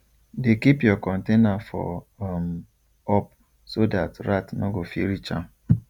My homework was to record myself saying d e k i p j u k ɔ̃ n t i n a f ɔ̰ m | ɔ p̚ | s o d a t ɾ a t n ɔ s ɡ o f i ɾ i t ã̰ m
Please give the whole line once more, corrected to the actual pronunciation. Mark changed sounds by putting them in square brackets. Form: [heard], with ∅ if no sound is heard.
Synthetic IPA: d e k i p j [ɔ] k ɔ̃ n t [e] n a f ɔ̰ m | ɔ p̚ | s o d a t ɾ a t n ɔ [∅] ɡ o f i ɾ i [t͡ʃ] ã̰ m

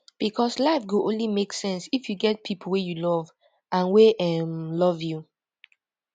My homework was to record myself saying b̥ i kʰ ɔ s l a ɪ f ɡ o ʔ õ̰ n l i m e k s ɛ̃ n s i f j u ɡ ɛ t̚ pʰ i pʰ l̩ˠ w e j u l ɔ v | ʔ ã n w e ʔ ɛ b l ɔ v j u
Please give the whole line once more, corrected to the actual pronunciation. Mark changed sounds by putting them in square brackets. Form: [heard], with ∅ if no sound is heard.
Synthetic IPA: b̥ i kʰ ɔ s l a ɪ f ɡ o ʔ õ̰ n l i m e k s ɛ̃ n s i f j u ɡ ɛ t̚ pʰ i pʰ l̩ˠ w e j u l ɔ v | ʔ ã n w e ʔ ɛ [m] l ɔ v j u

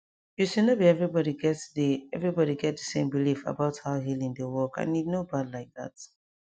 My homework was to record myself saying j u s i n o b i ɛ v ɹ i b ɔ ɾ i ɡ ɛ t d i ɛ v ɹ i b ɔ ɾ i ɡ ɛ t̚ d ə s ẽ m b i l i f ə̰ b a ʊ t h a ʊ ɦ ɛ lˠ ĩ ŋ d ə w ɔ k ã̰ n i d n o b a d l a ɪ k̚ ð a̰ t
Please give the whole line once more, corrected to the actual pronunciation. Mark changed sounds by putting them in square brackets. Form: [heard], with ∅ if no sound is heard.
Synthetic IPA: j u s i n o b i ɛ v ɹ i b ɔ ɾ i ɡ ɛ t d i ɛ v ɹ i b ɔ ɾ i ɡ ɛ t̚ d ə s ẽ m b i l i f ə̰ b a ʊ t h a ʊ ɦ [i] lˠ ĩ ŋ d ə w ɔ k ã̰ n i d n o b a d l a ɪ k̚ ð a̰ t

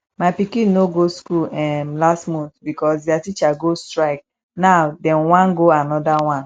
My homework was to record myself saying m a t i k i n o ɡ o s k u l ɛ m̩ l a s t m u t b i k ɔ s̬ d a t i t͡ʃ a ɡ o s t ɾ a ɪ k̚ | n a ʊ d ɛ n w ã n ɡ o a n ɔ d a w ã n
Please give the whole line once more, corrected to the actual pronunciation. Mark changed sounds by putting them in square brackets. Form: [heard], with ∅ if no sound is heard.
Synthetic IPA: m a [p] i k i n o ɡ o s k u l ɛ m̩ l a s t m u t b i k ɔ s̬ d a t i t͡ʃ a ɡ o s t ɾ a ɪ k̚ | n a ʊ d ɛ n w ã n ɡ o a n ɔ d a w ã n

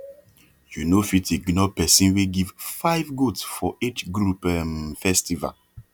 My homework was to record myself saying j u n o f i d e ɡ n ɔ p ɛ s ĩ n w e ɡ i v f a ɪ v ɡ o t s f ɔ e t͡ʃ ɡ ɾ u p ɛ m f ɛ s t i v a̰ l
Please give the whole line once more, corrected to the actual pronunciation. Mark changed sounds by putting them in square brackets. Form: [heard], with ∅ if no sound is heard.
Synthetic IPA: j u n o f i [t] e ɡ n ɔ p ɛ s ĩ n w e ɡ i v f a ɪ v ɡ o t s f ɔ e t͡ʃ ɡ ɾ u p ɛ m f ɛ s t i v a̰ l

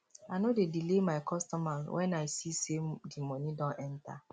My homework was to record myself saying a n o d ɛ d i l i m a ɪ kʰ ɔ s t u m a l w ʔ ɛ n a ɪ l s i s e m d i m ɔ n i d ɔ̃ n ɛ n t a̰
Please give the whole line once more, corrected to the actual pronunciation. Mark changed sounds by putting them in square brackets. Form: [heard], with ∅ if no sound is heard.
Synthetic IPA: a n o d [e] d i l [e] m a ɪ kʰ ɔ s t [ɔ] m a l w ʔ ɛ n a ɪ [∅] s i s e m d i m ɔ n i d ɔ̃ n ɛ n t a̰

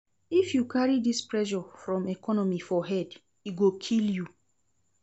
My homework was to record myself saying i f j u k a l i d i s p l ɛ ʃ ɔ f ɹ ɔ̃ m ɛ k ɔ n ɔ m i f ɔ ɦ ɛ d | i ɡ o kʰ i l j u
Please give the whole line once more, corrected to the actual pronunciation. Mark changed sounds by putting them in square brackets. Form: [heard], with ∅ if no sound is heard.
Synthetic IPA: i f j u k a [ɹ] i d i s p [ɹ] ɛ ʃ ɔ f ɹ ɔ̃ m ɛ k ɔ n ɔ m i f ɔ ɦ ɛ d | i ɡ o kʰ i l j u

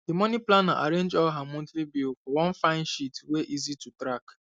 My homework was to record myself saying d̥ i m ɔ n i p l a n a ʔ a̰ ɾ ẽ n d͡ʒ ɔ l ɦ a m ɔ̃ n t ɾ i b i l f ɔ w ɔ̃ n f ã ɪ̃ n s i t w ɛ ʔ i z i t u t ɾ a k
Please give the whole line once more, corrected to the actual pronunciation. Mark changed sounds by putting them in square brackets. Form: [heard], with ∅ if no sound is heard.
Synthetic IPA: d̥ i m ɔ n i p l a n a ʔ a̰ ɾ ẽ n d͡ʒ ɔ l ɦ a m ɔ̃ n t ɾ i b i l f ɔ w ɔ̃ n f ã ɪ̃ n [ʃ] i t w [e] ʔ i z i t u t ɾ a k

